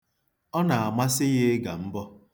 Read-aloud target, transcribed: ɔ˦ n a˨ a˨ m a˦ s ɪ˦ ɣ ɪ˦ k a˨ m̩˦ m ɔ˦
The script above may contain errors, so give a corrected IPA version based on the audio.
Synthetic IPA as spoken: ɔ˦ n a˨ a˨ m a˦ s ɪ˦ ɣ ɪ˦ ɡ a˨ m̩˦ b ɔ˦